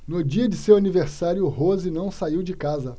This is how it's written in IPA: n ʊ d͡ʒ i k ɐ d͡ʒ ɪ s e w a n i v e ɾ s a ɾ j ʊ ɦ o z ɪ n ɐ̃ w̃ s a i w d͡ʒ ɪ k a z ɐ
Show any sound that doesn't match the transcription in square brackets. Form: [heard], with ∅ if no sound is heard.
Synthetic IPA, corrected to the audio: n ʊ d͡ʒ i [∅] ɐ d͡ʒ ɪ s e w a n i v e ɾ s a ɾ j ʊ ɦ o z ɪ n ɐ̃ w̃ s a i w d͡ʒ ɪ k a z ɐ